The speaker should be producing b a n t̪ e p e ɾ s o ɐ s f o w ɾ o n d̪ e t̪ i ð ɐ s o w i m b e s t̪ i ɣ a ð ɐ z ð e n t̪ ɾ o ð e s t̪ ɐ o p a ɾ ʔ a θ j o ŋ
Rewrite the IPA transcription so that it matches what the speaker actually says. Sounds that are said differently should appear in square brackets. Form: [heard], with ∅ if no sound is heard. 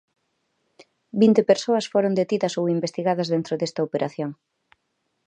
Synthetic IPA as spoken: b [i] n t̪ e p e ɾ s o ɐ s f o [∅] ɾ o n d̪ e t̪ i ð ɐ s o w i m b e s t̪ i ɣ a ð ɐ z ð e n t̪ ɾ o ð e s t̪ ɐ o p [e] ɾ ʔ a θ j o ŋ